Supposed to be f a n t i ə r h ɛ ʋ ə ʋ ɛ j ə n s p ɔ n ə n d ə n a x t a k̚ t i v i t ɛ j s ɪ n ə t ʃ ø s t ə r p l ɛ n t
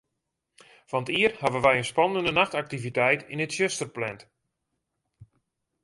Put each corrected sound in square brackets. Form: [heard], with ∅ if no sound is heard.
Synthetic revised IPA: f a n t i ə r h [a] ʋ ə ʋ ɛ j ə n s p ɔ n ə n d ə n a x t a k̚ t i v i t ɛ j [t] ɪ n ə t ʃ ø s t ə r p l ɛ n t